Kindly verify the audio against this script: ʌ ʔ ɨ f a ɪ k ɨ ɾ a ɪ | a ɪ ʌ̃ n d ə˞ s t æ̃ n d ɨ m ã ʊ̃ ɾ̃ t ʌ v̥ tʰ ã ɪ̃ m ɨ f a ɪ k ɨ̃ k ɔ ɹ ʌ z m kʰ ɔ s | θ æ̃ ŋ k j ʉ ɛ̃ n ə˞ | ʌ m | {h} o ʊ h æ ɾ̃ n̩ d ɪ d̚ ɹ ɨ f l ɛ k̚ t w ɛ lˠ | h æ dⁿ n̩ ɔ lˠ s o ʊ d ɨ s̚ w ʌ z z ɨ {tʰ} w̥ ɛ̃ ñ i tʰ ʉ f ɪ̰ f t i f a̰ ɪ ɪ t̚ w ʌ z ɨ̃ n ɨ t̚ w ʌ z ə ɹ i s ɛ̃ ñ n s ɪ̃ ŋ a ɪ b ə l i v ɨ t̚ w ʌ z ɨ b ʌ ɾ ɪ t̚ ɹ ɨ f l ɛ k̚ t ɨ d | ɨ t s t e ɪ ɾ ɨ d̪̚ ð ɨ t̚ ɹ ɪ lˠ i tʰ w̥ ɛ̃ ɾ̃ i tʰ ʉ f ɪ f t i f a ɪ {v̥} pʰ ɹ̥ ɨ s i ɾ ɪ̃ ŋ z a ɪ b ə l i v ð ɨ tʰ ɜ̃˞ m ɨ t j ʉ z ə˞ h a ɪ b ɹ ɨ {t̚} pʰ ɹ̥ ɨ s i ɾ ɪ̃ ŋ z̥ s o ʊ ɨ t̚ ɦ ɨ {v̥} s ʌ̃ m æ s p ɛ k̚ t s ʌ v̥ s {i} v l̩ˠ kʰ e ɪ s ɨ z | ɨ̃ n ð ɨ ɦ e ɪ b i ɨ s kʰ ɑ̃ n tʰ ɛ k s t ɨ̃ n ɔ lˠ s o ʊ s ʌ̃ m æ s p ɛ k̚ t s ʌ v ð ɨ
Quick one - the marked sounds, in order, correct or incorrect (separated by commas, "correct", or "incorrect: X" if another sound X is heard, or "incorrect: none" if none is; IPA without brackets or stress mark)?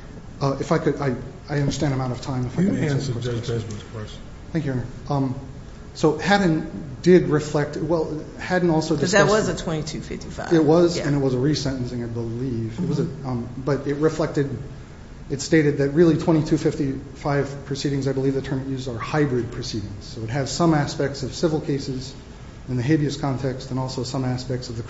incorrect: s, correct, correct, incorrect: d̚, incorrect: z̥, incorrect: ɪ